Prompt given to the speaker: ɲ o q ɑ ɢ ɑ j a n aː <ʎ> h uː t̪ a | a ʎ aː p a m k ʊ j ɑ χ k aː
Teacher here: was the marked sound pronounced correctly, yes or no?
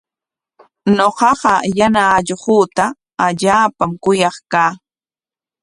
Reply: yes